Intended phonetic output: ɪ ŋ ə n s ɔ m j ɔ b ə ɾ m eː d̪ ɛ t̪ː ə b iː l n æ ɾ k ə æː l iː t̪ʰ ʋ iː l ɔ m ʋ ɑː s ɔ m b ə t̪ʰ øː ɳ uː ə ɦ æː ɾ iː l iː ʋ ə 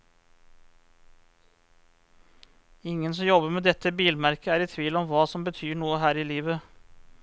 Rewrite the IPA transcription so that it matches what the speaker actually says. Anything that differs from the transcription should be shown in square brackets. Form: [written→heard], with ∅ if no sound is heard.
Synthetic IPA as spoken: ɪ ŋ ə n s ɔ m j ɔ b ə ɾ m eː d̪ ɛ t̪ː ə b iː l [n→m] æ ɾ k ə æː [l→ɾ] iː t̪ʰ ʋ iː l ɔ m ʋ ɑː s ɔ m b ə t̪ʰ [øː→yː] ɳ uː ə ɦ æː ɾ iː l iː ʋ ə